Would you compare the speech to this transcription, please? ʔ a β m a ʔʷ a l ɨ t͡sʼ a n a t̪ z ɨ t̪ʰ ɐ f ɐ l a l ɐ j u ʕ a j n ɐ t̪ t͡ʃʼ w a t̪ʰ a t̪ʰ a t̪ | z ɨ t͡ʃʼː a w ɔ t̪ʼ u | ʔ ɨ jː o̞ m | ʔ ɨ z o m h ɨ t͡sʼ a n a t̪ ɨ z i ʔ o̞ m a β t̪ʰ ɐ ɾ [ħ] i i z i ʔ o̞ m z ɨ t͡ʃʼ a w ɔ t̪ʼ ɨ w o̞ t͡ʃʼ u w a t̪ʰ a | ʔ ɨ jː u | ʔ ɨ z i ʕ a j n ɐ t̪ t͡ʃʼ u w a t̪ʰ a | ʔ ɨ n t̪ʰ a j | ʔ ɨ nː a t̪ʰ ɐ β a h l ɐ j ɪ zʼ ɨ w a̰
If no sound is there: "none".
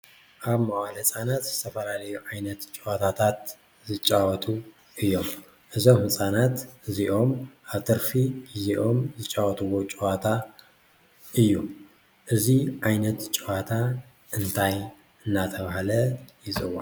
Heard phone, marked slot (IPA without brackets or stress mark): f